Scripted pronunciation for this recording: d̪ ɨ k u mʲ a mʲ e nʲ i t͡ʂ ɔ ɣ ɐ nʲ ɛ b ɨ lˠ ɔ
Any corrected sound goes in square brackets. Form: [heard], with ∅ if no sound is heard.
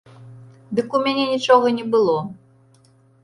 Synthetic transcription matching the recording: d̪ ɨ k u mʲ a [nʲ] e nʲ i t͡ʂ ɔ ɣ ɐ nʲ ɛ b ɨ lˠ ɔ